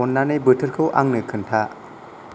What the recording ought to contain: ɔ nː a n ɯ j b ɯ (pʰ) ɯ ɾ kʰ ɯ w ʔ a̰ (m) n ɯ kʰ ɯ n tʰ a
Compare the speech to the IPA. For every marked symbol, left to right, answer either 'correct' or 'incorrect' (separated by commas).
incorrect, incorrect